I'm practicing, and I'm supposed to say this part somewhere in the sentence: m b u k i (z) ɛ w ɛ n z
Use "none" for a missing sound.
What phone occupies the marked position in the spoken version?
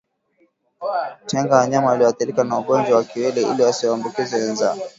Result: z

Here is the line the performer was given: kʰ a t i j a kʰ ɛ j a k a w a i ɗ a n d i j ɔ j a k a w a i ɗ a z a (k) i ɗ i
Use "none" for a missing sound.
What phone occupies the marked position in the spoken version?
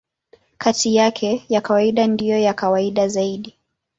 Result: none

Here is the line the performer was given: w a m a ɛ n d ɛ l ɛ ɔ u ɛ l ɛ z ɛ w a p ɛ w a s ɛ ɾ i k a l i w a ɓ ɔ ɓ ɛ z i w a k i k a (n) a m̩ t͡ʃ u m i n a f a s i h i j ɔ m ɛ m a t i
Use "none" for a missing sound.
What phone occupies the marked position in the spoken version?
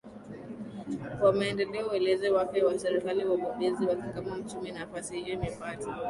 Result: m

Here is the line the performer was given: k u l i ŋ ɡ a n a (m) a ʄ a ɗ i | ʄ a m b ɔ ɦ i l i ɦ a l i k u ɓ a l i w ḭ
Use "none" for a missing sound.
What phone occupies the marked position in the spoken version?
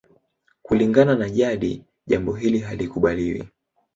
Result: n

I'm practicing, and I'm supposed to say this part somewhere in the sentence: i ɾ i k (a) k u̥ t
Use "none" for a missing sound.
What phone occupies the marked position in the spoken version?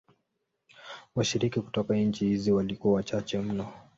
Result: i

